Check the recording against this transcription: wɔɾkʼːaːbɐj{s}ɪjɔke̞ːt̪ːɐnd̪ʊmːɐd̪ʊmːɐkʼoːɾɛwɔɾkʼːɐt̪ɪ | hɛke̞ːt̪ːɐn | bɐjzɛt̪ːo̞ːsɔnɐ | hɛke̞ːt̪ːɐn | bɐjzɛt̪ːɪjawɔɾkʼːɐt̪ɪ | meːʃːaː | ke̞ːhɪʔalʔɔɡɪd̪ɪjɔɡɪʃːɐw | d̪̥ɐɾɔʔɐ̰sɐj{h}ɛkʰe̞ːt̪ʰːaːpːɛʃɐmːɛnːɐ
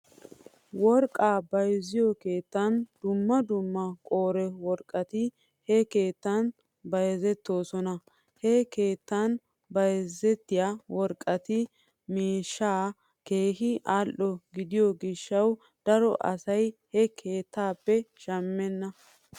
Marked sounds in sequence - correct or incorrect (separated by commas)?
incorrect, correct